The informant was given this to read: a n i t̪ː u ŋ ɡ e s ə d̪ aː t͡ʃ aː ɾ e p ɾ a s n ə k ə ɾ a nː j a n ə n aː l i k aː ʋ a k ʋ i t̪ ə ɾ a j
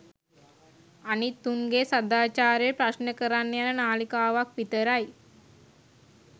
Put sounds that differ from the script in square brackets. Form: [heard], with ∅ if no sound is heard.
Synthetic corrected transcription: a n i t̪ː u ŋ ɡ e s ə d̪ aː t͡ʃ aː ɾ e p ɾ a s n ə k ə ɾ a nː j a n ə n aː l i k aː ʋ a k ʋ i t̪ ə ɾ a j